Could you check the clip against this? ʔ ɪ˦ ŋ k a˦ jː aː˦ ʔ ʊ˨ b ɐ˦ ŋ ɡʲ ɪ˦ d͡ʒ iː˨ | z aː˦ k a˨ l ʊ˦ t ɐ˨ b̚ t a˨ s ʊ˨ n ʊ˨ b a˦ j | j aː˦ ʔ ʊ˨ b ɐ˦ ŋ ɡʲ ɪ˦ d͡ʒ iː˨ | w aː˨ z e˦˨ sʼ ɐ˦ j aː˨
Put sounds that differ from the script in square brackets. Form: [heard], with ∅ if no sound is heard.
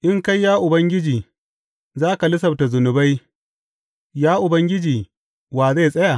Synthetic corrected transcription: ʔ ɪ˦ ŋ k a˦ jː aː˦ ʔ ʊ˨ b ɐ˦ ŋ ɡʲ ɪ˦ d͡ʒ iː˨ | z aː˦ k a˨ l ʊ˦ [s] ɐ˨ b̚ t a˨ [z] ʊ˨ n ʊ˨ b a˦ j | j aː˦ ʔ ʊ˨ b ɐ˦ ŋ ɡʲ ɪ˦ d͡ʒ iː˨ | w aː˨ z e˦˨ sʼ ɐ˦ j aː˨